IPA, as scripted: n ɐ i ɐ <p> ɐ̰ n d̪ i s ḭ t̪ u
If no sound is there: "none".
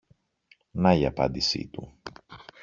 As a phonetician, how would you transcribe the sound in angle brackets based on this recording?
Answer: p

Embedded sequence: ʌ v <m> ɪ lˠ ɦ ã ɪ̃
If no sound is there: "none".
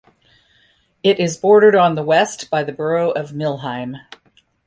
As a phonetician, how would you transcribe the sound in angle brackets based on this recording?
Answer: m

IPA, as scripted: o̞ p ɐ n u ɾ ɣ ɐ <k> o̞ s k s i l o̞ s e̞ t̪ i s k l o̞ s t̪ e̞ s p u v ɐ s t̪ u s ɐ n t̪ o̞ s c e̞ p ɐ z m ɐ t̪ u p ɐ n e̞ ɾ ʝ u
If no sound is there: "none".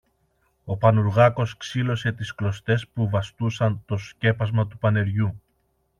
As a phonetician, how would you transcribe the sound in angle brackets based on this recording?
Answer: k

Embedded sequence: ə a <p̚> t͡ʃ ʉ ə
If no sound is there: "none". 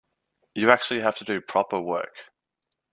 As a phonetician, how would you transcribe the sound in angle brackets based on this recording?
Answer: k̚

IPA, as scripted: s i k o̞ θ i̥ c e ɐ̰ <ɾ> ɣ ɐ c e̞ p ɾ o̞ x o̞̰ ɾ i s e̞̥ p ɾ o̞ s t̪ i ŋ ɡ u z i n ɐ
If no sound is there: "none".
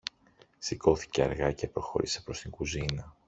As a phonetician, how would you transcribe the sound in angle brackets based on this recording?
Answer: ɾ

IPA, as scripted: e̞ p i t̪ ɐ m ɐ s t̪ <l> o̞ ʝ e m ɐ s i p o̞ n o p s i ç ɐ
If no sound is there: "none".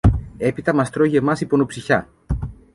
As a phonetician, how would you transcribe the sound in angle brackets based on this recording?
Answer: ɾ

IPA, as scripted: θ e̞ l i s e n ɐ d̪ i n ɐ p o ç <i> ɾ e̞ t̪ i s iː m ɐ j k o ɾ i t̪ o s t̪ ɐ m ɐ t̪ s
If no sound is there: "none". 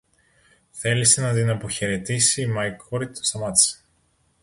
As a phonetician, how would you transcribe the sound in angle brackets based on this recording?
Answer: e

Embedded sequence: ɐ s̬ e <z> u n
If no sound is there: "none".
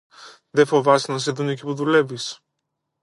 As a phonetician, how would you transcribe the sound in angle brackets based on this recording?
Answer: ð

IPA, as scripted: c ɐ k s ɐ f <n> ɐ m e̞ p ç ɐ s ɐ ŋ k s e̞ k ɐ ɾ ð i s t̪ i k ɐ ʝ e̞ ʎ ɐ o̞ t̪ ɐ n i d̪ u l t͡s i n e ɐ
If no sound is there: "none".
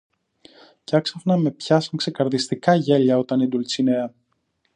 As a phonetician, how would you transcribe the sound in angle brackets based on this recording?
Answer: n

